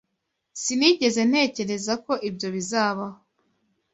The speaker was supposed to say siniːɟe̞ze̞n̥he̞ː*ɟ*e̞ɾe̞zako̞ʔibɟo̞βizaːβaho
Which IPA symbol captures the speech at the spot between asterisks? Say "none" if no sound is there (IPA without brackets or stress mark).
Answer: c